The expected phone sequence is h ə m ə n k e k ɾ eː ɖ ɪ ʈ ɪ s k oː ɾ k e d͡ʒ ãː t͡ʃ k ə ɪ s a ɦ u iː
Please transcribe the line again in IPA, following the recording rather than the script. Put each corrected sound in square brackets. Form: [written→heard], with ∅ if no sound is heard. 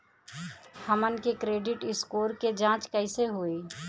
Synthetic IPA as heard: h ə m ə n k e k ɾ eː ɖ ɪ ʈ ɪ s k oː ɾ k e d͡ʒ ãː t͡ʃ k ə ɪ s [a→e] ɦ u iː